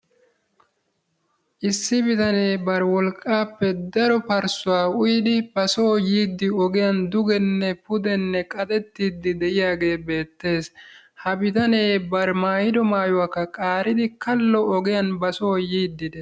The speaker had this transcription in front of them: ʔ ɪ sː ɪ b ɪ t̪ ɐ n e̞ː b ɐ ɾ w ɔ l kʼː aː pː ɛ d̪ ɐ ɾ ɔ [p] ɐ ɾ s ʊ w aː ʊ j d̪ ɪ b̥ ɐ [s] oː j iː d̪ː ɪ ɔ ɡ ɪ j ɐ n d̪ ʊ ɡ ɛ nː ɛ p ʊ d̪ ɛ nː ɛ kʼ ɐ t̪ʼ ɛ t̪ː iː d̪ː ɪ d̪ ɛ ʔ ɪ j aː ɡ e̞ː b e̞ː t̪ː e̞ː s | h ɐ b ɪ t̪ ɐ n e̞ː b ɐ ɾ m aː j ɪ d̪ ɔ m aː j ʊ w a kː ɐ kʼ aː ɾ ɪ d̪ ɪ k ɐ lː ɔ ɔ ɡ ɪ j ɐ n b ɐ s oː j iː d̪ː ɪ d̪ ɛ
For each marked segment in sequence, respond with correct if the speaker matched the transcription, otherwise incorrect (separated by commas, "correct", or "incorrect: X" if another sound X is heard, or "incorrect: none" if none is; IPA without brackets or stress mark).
correct, correct